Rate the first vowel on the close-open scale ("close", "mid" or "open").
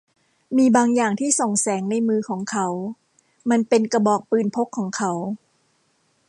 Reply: close